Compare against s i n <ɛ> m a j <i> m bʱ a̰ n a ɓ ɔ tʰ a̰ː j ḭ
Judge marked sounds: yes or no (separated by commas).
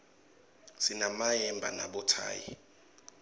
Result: no, no